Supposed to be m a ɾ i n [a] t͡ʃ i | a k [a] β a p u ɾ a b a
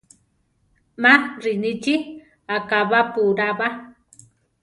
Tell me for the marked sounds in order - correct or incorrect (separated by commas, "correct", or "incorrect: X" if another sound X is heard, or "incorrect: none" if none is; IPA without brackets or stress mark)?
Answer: incorrect: i, correct